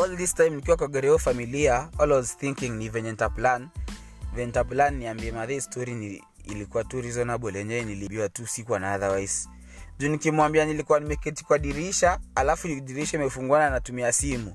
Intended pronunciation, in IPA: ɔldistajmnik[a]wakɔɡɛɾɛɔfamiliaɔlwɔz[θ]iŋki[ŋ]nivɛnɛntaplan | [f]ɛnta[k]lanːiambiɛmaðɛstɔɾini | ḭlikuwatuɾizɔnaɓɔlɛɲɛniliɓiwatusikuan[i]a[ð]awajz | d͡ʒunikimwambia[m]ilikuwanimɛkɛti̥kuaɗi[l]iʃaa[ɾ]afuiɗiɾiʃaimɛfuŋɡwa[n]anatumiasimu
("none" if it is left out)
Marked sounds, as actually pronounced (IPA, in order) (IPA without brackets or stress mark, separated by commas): i, θ, ŋ, v, p, a, ð, n, ɾ, l, n